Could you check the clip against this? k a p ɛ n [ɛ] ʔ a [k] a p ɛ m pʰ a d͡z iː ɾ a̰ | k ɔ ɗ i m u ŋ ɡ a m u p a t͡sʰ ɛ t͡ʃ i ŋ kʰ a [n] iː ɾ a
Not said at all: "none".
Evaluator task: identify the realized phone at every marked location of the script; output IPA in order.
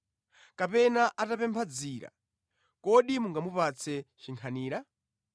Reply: a, t, n

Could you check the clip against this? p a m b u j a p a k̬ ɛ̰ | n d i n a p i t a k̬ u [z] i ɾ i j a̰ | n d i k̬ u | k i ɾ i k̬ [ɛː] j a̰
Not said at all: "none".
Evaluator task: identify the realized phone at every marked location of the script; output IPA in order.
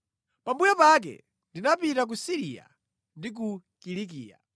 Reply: s, iː

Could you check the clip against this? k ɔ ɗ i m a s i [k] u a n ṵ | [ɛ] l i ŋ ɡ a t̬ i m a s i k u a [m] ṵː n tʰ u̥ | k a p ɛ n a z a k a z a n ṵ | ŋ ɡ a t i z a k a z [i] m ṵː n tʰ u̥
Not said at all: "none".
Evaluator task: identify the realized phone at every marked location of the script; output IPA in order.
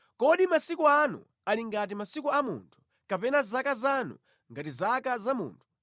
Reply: k, a, m, a

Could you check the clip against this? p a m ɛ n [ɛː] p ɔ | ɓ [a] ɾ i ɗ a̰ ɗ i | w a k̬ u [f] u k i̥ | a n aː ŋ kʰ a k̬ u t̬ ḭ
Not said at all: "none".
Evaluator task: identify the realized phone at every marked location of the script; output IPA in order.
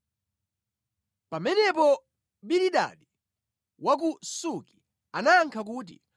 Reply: ɛ, i, s

